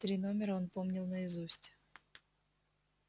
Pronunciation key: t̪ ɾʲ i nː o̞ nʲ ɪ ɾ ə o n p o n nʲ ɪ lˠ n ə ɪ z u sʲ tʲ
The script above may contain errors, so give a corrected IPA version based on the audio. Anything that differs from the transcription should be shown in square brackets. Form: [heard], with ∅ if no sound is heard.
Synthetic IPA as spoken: t̪ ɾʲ i [n] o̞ [mʲ] ɪ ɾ ə o n p o [m] nʲ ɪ lˠ n ə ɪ z u sʲ tʲ

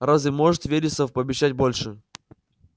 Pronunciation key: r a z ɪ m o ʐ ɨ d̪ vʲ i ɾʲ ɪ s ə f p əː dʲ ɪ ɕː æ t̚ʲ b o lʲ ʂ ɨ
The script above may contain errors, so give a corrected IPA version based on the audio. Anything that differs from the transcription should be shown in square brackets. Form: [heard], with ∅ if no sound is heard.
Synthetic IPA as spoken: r a z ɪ m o ʐ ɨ [t̪] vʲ [e] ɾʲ ɪ s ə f p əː [bʲ] ɪ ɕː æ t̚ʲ b o lʲ ʂ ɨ

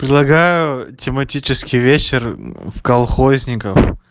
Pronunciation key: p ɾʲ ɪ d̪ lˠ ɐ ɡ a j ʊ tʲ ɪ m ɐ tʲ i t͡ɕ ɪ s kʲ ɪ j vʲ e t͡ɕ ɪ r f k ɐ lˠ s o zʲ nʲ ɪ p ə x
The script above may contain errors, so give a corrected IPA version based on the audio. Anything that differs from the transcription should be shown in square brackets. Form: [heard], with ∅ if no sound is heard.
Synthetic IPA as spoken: p ɾʲ ɪ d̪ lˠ ɐ ɡ a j ʊ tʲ ɪ m ɐ tʲ i t͡ɕ ɪ s kʲ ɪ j vʲ e t͡ɕ ɪ r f k ɐ lˠ [x] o zʲ nʲ ɪ [k] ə [f]

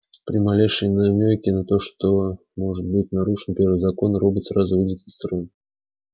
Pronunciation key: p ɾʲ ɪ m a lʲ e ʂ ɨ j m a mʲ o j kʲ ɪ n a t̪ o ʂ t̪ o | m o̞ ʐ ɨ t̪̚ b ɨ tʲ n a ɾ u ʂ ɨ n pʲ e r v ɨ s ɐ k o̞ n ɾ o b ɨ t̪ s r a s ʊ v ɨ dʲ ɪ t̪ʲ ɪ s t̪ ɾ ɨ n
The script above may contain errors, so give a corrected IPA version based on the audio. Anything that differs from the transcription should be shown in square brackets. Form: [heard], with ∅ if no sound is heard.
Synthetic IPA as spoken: p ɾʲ ɪ m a lʲ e ʂ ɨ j [n] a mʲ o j kʲ ɪ n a t̪ o ʂ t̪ o | m o̞ ʐ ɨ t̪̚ b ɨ tʲ n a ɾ u ʂ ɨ n pʲ e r v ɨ [z] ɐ k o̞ n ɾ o b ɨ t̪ s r a [z] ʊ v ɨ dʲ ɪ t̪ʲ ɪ s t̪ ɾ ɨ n

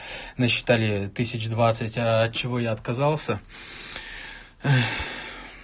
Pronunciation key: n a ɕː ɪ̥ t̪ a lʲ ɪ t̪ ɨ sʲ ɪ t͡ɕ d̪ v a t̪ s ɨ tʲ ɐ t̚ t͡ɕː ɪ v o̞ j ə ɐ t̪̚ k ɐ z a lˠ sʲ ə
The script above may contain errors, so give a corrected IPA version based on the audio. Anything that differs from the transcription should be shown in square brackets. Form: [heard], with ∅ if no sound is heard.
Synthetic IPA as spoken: n [ə] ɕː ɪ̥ t̪ a lʲ ɪ t̪ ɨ sʲ ɪ t͡ɕ d̪ v a t̪ s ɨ tʲ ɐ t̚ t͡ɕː ɪ v o̞ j [a] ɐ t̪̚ k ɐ z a lˠ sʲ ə

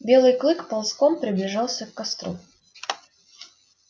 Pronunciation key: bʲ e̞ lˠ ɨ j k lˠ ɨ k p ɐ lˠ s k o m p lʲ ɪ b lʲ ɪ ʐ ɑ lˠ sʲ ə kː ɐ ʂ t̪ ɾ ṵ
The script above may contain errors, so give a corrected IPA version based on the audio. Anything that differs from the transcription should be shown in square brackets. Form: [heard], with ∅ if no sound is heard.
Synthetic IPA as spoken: bʲ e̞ lˠ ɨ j k lˠ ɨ k p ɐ lˠ s k o m p [ɾʲ] ɪ b lʲ ɪ ʐ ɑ lˠ sʲ ə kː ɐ [s] t̪ ɾ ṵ

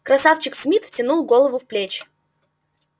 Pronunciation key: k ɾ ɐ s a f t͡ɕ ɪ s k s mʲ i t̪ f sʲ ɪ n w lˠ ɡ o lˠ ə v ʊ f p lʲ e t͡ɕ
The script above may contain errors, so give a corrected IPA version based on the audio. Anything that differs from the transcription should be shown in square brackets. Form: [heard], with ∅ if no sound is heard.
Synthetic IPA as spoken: k ɾ ɐ s a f t͡ɕ ɪ [∅] k s mʲ i t̪ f [tʲ] ɪ n [u] lˠ ɡ o lˠ ə v ʊ f p lʲ e t͡ɕ

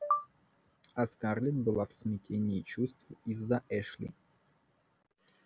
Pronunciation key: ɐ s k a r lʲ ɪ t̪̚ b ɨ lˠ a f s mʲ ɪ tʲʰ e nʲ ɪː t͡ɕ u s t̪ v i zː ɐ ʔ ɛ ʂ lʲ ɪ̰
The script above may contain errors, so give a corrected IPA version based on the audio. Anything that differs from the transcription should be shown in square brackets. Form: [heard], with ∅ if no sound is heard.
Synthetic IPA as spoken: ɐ s k a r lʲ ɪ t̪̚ b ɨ lˠ a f s mʲ ɪ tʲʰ e nʲ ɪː t͡ɕ u s t̪ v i zː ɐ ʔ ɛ ʂ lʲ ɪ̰

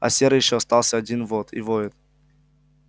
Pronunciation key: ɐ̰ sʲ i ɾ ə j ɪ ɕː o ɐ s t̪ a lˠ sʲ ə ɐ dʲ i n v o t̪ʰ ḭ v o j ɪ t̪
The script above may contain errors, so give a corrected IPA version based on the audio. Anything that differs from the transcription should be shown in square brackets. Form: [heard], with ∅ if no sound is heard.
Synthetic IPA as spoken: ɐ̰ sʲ [e] ɾ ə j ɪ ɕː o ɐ s t̪ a lˠ sʲ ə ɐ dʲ i n v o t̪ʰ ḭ v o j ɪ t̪

